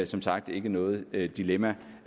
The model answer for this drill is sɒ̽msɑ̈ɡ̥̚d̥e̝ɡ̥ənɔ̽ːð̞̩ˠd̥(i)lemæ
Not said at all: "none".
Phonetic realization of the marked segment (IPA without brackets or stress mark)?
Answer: i